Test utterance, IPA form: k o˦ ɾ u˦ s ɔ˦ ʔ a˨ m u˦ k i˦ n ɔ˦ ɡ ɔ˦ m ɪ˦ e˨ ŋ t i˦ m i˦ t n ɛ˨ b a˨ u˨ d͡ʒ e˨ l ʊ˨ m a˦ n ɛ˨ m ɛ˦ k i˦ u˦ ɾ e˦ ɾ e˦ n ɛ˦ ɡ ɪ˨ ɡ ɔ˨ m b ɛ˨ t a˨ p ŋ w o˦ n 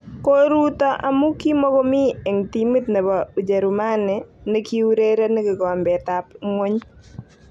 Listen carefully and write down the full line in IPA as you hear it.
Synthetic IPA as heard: k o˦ ɾ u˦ t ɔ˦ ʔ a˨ m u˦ k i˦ m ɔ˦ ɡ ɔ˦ m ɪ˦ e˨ ŋ t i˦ m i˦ t n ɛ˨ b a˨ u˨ d͡ʒ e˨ ɾ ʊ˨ m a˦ n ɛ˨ n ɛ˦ k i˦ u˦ ɾ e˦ ɾ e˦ n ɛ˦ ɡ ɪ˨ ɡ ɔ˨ m b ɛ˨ t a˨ p ŋ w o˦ ɲ